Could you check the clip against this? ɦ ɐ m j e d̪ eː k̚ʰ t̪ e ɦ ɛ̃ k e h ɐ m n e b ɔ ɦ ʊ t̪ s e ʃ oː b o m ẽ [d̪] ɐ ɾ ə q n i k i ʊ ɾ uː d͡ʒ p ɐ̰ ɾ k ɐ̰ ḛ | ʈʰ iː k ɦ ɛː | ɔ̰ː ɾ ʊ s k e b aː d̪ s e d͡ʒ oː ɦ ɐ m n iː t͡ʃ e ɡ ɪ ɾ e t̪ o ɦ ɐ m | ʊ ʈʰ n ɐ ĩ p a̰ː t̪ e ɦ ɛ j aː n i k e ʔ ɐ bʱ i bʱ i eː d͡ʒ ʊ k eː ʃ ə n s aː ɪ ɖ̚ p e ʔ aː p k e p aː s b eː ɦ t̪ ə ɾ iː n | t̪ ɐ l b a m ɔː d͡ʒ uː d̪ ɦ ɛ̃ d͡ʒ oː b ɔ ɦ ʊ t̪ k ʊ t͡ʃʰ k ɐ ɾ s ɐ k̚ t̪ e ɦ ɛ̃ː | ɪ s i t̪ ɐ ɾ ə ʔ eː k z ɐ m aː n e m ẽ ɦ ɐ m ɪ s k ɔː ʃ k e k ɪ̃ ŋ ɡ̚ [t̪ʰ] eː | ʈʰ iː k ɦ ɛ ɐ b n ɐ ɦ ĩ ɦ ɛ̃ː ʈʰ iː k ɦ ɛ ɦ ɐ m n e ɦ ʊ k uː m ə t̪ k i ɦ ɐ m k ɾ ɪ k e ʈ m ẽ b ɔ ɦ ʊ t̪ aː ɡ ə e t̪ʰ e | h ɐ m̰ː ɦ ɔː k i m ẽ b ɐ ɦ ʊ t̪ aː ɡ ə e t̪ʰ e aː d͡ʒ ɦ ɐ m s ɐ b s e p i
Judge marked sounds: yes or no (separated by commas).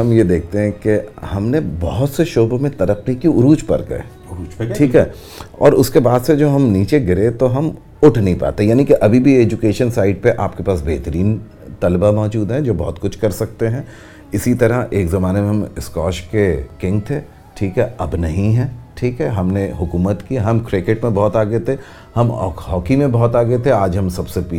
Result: no, yes